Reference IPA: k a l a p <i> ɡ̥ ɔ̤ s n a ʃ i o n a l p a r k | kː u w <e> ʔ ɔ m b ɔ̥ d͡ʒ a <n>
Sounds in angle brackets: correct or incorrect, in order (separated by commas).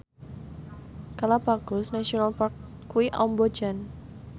incorrect, incorrect, correct